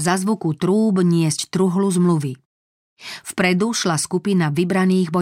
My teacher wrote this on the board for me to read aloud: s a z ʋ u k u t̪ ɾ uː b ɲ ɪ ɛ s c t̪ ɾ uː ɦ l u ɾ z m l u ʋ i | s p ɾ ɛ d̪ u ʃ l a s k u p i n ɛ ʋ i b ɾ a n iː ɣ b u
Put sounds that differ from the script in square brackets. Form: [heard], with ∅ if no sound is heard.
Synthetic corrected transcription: [z] a z ʋ u k u t̪ ɾ uː b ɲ ɪ ɛ s c t̪ ɾ [u] ɦ l u [∅] z m l u ʋ i | [f] p ɾ ɛ d̪ u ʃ l a s k u p i n [a] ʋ i b ɾ a n iː ɣ b [ɔ]